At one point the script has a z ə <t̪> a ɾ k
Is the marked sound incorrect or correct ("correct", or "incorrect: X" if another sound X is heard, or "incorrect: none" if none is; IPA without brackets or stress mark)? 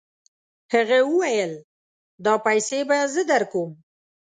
incorrect: d̪